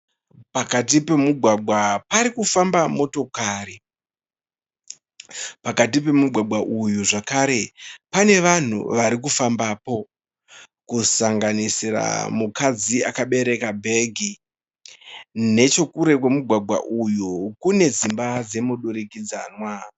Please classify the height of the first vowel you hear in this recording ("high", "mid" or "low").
low